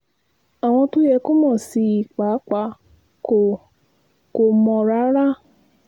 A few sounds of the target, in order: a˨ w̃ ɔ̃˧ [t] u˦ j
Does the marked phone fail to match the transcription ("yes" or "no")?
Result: no